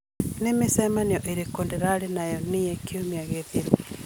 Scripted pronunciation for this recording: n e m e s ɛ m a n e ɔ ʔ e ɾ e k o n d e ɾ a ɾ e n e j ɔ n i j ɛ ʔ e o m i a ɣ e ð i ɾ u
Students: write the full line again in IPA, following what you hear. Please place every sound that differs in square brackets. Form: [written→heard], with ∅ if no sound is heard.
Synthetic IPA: n e m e s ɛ m a n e ɔ ʔ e ɾ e k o n d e ɾ a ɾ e n [e→a] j ɔ n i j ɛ [ʔ→k] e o m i a ɣ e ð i ɾ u